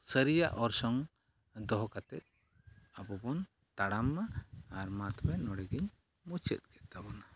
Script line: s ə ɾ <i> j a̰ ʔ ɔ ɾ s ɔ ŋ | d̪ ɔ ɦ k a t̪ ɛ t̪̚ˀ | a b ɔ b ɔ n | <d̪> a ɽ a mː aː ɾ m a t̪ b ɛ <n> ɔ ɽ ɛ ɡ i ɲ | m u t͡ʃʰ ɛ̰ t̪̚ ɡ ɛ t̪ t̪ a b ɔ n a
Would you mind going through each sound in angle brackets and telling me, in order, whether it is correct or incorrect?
correct, incorrect: t̪, correct

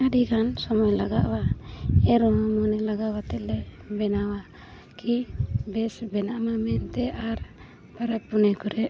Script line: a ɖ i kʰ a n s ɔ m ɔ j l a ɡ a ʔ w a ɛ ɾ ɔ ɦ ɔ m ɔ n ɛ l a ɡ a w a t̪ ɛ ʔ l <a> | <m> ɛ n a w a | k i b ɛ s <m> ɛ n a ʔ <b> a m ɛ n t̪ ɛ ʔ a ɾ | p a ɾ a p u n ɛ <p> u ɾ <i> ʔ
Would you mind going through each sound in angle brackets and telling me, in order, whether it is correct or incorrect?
incorrect: ɛ, incorrect: b, incorrect: b, incorrect: m, incorrect: k, incorrect: ɛ

